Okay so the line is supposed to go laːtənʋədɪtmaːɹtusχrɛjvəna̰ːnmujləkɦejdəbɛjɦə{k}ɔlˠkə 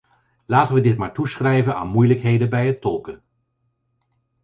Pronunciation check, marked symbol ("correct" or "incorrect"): incorrect